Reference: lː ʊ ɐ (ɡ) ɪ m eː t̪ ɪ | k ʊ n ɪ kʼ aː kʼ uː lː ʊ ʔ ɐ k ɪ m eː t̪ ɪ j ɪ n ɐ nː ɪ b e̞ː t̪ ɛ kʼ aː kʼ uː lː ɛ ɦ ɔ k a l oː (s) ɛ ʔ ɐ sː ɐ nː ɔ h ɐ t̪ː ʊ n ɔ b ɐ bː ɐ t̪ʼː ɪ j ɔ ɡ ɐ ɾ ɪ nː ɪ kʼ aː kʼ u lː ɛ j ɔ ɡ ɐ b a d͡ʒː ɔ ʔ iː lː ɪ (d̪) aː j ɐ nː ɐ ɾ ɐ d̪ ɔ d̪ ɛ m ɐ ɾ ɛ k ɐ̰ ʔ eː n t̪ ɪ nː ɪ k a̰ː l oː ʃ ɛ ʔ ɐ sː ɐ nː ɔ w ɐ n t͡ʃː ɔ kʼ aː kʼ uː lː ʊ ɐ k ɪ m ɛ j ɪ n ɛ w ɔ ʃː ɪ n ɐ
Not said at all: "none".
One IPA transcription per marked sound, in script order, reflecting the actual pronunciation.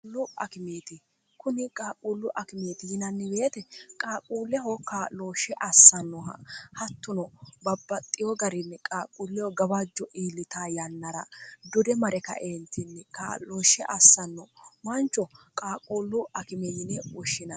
k, ʃ, t̪

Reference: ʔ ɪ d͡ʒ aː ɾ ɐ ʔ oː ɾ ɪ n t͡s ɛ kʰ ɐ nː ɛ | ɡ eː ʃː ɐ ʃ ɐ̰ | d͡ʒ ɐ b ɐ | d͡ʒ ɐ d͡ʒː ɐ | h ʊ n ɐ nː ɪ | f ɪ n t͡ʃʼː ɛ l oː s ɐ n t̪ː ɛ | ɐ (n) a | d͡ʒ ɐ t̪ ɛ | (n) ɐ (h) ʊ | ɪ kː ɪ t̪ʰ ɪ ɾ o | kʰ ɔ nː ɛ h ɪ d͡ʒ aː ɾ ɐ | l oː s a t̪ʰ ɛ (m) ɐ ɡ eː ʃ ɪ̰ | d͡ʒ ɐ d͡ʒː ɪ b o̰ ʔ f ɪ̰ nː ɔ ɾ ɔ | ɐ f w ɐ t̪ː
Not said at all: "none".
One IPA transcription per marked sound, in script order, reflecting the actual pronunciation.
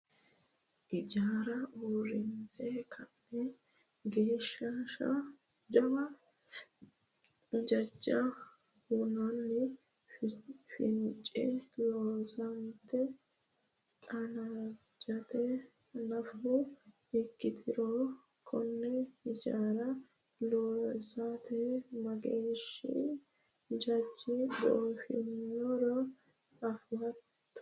n, n, f, m

